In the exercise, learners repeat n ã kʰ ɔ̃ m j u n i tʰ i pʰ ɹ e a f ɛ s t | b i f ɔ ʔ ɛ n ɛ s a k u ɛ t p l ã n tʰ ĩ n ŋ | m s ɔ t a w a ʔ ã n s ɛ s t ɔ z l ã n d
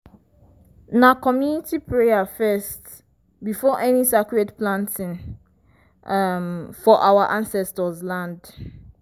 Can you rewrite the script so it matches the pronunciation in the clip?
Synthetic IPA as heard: n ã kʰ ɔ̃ m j u n i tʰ i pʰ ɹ e a f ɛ s t | b i f ɔ ʔ ɛ n i s a k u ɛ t p l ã n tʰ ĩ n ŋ | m f ɔ ʔ a w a ʔ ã n s ɛ s t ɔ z l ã n d